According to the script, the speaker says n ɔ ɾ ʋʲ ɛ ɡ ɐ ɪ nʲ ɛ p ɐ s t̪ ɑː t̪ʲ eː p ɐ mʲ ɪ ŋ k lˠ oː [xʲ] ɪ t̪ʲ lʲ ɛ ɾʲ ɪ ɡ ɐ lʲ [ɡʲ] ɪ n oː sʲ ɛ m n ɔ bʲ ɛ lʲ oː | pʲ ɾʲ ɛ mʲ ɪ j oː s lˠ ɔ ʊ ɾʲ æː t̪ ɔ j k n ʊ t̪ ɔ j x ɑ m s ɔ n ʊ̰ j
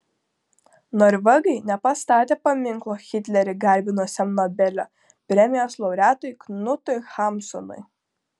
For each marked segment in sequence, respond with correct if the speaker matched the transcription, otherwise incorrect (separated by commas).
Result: correct, incorrect